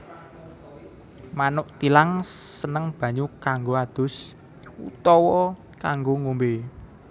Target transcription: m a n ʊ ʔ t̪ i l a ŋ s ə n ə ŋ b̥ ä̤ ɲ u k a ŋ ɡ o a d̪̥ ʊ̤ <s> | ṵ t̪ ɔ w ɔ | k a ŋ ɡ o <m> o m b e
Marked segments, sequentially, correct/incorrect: correct, incorrect: ŋ

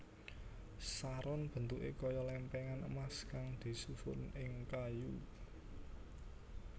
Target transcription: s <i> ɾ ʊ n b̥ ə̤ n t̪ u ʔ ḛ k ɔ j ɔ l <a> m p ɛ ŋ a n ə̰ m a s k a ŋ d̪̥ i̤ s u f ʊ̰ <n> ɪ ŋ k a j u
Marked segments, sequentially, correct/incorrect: incorrect: a, incorrect: ɛ, correct

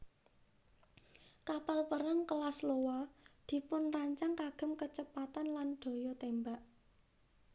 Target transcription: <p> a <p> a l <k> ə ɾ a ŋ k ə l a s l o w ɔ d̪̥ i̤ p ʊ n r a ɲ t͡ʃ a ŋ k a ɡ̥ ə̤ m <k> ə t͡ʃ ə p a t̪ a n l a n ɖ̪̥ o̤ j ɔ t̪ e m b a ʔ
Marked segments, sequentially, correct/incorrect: incorrect: k, correct, incorrect: p, correct

